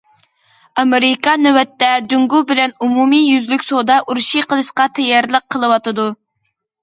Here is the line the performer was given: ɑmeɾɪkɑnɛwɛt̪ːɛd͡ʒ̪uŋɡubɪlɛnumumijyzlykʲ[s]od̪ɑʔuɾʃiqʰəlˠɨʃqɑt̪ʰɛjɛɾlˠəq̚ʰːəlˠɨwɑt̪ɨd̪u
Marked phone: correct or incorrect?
correct